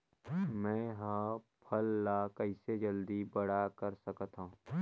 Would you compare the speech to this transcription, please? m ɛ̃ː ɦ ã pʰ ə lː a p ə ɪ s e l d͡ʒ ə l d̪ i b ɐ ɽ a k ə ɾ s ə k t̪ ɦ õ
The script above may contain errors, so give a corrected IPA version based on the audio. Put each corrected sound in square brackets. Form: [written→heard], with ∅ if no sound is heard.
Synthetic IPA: m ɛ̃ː ɦ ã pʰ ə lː a [p→k] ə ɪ s e [l→∅] d͡ʒ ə l d̪ i b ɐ ɽ a k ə ɾ s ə k t̪ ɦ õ